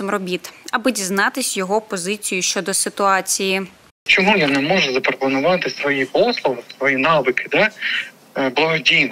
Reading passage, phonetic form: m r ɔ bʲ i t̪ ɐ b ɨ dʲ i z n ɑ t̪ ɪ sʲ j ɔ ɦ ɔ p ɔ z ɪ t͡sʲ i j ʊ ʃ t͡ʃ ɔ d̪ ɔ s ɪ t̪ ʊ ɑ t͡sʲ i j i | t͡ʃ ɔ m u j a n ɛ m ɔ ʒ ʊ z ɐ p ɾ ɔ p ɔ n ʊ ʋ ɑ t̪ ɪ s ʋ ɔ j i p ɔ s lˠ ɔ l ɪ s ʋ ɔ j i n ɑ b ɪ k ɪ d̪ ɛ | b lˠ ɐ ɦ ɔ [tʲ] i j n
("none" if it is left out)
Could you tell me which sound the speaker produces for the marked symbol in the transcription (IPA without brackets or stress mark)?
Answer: dʲ